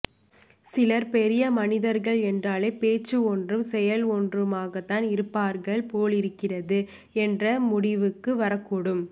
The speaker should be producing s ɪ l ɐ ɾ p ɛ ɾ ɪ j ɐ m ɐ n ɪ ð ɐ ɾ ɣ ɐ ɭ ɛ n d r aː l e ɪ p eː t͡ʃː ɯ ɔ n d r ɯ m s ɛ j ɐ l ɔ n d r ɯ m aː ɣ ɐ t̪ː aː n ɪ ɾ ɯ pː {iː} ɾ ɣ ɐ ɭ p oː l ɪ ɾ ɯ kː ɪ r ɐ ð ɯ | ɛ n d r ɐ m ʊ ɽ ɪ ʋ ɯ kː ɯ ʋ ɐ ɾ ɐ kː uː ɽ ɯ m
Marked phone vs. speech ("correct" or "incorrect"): incorrect